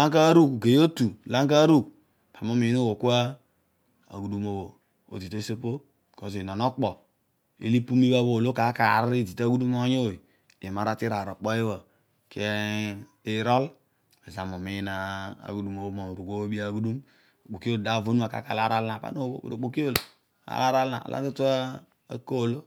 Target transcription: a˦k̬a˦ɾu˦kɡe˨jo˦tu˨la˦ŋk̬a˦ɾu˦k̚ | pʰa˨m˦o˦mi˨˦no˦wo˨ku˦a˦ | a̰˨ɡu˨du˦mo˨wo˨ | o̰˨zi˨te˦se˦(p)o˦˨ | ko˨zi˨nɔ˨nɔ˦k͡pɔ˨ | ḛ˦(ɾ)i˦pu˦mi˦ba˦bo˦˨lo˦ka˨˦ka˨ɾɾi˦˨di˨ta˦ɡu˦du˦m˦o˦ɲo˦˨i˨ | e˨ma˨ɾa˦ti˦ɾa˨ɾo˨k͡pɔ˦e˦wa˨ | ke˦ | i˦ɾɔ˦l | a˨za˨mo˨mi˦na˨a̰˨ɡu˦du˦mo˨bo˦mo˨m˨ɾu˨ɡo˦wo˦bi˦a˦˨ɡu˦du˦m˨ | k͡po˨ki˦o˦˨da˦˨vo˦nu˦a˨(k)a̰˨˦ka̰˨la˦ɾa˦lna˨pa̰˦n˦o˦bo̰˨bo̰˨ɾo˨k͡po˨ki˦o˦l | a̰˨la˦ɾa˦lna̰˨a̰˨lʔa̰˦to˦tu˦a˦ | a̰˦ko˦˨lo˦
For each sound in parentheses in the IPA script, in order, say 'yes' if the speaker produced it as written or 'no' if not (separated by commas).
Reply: yes, no, yes